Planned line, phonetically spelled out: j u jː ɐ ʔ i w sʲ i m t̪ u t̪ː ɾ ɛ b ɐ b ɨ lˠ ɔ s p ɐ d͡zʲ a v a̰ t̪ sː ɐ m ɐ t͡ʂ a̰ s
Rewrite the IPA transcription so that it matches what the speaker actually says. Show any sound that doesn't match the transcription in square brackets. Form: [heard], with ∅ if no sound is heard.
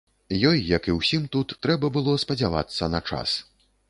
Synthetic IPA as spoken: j [ɔ] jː ɐ [k] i w sʲ i m t̪ u t̪ː ɾ ɛ b ɐ b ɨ lˠ ɔ s p ɐ d͡zʲ a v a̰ t̪ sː ɐ [n] ɐ t͡ʂ a̰ s

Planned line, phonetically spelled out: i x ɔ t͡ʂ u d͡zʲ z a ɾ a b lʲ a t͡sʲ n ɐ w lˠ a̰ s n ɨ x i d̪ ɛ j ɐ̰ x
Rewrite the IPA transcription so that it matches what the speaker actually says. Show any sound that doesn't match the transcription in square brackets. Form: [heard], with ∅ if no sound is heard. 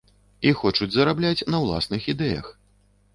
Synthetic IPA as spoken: i x ɔ t͡ʂ u d͡zʲ z [ɐ] ɾ a b lʲ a t͡sʲ n ɐ w lˠ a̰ s n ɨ x i d̪ ɛ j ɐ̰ x

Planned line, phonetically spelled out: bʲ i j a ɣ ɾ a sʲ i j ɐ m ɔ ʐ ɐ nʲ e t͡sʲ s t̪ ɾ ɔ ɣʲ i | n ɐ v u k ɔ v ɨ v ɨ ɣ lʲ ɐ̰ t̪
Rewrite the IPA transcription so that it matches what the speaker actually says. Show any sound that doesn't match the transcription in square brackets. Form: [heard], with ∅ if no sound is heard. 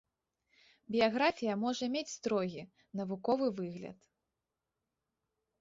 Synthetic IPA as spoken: bʲ i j a ɣ ɾ a [fʲ] i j ɐ m ɔ ʐ ɐ [mʲ] e t͡sʲ s t̪ ɾ ɔ ɣʲ i | n ɐ v u k ɔ v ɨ v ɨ ɣ lʲ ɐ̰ t̪

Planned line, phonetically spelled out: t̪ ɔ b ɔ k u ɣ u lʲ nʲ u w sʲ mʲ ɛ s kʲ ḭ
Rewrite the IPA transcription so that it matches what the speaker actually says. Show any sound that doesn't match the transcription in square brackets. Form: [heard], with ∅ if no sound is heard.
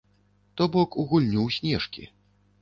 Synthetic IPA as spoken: t̪ ɔ b ɔ k u ɣ u lʲ nʲ u w sʲ [nʲ] ɛ [ʂ] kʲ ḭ

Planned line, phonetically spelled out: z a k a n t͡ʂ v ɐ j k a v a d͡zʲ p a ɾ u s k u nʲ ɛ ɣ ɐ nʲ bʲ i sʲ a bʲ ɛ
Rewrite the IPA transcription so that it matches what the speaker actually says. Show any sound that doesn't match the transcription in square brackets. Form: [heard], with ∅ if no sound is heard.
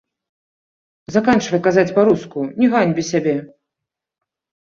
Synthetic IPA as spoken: z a k a n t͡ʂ v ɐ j k a [z] a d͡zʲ p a ɾ u s k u nʲ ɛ ɣ [a] nʲ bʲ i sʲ a bʲ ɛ

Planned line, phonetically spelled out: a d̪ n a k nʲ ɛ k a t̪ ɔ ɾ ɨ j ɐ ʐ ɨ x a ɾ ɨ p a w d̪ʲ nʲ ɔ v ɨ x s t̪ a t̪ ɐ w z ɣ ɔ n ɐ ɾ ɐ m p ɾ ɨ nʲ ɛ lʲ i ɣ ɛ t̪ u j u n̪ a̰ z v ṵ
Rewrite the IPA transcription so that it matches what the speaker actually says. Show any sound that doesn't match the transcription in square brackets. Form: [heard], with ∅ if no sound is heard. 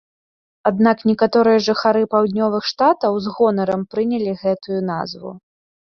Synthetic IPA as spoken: a d̪ n a k nʲ ɛ k a t̪ ɔ ɾ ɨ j ɐ ʐ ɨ x a ɾ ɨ p a w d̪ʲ nʲ ɔ v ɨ x [ʂ] t̪ a t̪ ɐ w z ɣ ɔ n ɐ ɾ ɐ m p ɾ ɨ nʲ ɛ lʲ i ɣ ɛ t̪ u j u n̪ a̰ z v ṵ

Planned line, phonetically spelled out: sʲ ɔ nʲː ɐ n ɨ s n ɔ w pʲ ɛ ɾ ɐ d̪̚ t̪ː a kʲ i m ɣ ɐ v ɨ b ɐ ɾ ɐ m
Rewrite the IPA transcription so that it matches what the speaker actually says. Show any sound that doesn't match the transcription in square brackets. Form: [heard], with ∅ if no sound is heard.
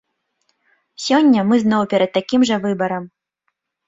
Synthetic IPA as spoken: sʲ ɔ nʲː ɐ [m] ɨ [z] n ɔ w pʲ ɛ ɾ ɐ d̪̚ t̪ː a kʲ i m [ʐ] ɐ v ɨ b ɐ ɾ ɐ m

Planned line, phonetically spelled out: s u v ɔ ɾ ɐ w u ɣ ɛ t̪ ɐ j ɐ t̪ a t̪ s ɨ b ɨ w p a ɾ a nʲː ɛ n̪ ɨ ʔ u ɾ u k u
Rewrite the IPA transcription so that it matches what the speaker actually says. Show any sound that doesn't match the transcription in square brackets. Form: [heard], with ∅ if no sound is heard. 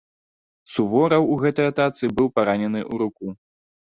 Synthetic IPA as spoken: s u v ɔ ɾ ɐ w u ɣ ɛ t̪ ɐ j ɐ t̪ a t̪ s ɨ b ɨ w p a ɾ a [nʲ] ɛ n̪ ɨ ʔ u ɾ u k u

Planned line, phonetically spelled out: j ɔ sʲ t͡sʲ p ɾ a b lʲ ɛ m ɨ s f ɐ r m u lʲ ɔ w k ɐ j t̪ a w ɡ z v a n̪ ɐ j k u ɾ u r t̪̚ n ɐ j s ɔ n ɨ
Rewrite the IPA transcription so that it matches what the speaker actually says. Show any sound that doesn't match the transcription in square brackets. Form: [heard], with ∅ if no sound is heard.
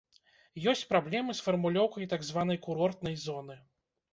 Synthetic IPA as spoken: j ɔ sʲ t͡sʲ p ɾ a b lʲ ɛ m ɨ s f ɐ r m u lʲ ɔ w k ɐ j t̪ a [∅] ɡ z v a n̪ ɐ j k u ɾ [ɔ] r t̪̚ n ɐ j [z] ɔ n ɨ

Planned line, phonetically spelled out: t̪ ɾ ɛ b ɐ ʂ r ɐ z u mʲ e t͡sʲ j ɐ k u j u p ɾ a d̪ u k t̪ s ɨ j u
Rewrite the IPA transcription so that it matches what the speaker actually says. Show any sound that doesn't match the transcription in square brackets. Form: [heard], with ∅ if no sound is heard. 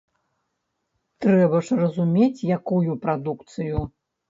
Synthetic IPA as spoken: t̪ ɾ ɛ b ɐ ʂ r ɐ z u mʲ e t͡sʲ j [a] k u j u p ɾ a d̪ u k t̪ s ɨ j u

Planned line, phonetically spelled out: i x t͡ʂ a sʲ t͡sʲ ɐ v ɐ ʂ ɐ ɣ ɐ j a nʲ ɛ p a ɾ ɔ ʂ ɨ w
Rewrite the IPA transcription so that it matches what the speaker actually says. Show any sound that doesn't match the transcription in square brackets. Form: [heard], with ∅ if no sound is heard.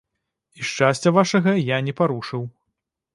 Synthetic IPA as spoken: i [ʂ] t͡ʂ a sʲ t͡sʲ ɐ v [a] ʂ ɐ ɣ ɐ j a nʲ ɛ p a ɾ [u] ʂ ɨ w

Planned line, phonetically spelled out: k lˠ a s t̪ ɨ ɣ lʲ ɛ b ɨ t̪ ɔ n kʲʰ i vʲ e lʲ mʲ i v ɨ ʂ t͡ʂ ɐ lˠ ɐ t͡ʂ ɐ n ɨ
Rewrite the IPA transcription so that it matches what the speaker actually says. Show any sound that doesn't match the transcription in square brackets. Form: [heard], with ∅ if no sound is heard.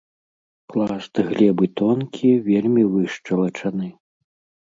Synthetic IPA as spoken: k lˠ a s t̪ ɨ ɣ lʲ ɛ b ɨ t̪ ɔ n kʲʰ i vʲ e lʲ mʲ i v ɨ ʂ t͡ʂ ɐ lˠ ɐ t͡ʂ ɐ n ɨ

